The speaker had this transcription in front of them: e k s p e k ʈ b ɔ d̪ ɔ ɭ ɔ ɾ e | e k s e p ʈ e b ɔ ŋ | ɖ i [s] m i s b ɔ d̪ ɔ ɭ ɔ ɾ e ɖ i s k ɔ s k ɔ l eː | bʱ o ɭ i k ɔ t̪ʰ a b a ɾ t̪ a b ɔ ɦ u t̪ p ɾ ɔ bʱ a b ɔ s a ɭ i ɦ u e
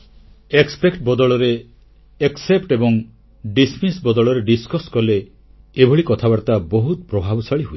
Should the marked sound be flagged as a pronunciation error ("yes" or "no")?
no